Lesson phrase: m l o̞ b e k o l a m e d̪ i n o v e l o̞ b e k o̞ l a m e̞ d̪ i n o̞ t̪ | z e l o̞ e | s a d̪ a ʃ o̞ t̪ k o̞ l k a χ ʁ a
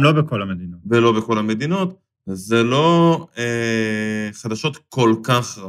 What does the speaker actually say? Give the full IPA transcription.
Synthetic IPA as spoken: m l o̞ b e k o l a m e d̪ i n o v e l o̞ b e k o̞ l a m e̞ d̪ i n o̞ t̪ | z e l o̞ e | χ a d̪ a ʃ o̞ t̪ k o̞ l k a χ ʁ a